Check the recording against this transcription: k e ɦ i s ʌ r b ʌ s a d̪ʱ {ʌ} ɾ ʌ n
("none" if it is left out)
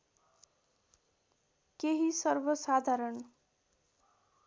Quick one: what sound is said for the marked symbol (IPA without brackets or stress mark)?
a